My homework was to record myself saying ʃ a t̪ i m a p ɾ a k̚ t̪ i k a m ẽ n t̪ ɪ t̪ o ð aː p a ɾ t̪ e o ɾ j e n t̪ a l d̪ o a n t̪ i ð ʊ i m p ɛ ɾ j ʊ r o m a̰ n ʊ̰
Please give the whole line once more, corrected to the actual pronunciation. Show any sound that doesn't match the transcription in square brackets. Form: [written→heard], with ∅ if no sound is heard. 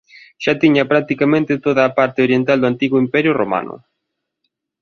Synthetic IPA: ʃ a t̪ i [m→ɲ] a p ɾ a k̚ t̪ i k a m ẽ n t̪ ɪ t̪ o ð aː p a ɾ t̪ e o ɾ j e n t̪ a l d̪ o a n t̪ i [ð→ɣ] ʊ i m p ɛ ɾ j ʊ r o m a̰ n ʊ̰